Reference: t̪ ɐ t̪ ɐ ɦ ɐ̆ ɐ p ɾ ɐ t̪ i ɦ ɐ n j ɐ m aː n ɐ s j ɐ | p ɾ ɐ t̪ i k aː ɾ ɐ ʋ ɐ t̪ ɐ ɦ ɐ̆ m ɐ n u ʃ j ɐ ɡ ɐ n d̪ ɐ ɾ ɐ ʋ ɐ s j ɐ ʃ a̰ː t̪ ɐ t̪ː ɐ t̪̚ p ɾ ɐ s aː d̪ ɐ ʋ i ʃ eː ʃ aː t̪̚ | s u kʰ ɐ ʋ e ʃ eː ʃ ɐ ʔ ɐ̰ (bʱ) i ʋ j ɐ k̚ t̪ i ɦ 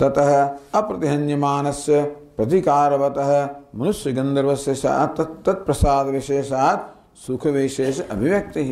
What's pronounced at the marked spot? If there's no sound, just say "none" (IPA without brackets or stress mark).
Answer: bʱ